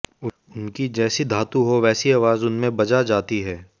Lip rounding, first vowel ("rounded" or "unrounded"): rounded